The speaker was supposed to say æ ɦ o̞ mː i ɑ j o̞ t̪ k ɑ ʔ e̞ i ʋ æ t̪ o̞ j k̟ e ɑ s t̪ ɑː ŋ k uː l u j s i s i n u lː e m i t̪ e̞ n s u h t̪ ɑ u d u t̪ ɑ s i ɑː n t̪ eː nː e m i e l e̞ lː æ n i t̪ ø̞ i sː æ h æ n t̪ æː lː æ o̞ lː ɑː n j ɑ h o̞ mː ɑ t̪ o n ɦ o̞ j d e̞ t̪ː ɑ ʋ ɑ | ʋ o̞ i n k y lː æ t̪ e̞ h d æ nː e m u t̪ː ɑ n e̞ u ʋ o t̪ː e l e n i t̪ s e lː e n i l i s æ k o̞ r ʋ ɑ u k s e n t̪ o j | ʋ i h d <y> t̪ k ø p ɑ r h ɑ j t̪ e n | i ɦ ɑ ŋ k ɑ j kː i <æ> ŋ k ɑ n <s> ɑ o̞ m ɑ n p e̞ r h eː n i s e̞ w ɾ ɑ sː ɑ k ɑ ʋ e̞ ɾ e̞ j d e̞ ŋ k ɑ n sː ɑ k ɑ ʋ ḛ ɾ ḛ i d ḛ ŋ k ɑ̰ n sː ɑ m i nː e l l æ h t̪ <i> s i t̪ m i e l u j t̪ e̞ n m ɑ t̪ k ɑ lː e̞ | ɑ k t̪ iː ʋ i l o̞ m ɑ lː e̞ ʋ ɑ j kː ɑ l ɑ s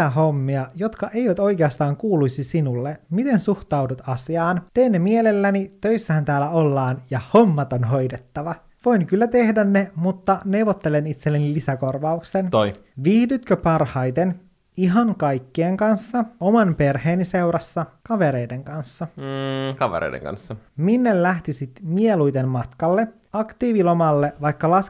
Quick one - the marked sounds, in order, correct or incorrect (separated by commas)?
correct, incorrect, incorrect, correct